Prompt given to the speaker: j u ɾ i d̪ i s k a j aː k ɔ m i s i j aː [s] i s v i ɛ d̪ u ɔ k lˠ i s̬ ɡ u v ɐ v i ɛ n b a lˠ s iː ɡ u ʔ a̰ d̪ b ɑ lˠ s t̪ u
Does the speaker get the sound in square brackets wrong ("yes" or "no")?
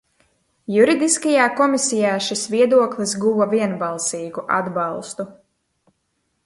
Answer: yes